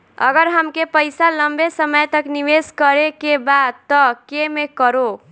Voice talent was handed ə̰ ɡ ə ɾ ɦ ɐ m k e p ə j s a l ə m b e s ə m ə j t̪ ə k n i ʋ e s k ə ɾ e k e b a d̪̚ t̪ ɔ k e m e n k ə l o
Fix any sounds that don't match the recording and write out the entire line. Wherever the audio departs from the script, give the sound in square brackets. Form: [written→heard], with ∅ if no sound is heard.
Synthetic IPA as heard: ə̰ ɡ ə ɾ ɦ [ɐ→ə] m k e p ə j s a l ə m b e s ə m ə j t̪ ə k n i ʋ e s k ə ɾ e k e b a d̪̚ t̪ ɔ k e m e [n→∅] k ə [l→ɾ] o